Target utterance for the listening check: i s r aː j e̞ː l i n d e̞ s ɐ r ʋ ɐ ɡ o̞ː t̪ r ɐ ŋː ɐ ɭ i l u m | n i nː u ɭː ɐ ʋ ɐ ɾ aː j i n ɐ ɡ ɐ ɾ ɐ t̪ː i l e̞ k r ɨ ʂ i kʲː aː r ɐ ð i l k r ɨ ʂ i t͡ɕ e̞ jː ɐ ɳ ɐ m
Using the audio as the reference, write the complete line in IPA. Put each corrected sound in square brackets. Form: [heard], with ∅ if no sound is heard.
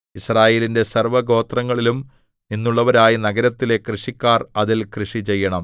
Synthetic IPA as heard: i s r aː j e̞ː l i n d e̞ s ɐ r ʋ ɐ ɡ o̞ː t̪ r ɐ ŋː ɐ ɭ i l u m | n i nː u ɭː ɐ ʋ ɐ ɾ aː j i n ɐ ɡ ɐ ɾ ɐ t̪ː i l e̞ k r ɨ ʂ i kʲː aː r ɐ ð i l k r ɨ ʂ i t͡ɕ e̞ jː ɐ ɳ ɐ m